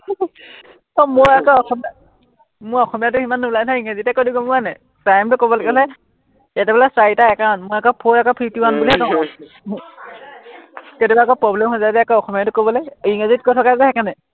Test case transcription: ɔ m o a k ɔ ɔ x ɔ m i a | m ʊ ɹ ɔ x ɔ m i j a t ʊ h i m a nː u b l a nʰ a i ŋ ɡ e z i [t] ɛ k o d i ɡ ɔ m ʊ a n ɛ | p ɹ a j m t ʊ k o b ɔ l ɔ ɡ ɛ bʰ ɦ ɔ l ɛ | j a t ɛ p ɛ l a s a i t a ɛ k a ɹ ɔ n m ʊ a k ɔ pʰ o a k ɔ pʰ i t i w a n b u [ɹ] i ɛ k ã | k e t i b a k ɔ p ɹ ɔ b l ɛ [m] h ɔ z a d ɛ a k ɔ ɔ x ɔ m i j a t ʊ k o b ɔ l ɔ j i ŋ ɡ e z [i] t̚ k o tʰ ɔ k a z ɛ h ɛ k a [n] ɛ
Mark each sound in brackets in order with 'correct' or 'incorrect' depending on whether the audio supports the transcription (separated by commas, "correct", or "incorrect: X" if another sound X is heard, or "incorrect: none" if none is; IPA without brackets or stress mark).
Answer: correct, incorrect: l, correct, correct, correct